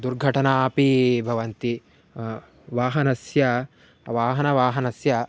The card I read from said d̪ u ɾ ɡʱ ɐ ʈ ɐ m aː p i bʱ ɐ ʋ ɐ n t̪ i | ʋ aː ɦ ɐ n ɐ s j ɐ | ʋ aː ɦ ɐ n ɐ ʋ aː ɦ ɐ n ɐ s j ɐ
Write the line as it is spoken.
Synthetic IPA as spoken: d̪ u ɾ ɡʱ ɐ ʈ ɐ n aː p i bʱ ɐ ʋ ɐ n t̪ i | ʋ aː ɦ ɐ n ɐ s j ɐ | ʋ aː ɦ ɐ n ɐ ʋ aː ɦ ɐ n ɐ s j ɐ